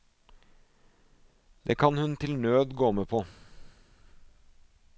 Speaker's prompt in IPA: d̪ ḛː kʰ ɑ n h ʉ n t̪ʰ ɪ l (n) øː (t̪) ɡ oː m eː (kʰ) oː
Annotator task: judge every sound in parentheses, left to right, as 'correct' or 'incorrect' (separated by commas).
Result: correct, incorrect, incorrect